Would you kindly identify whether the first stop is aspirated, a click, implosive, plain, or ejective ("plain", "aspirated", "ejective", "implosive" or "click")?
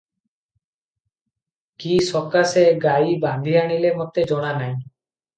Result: plain